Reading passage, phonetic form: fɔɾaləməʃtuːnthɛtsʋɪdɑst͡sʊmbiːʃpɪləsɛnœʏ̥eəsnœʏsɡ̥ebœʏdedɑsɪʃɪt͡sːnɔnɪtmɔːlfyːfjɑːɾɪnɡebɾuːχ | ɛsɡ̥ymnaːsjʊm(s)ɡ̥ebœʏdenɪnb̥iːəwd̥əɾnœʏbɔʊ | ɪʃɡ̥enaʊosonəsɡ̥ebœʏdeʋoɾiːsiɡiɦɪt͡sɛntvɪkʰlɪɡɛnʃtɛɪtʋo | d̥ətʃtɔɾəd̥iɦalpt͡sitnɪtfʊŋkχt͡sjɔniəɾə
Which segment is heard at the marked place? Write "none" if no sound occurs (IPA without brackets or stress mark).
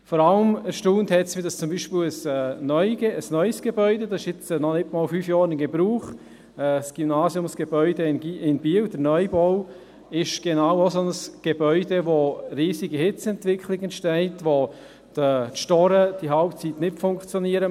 s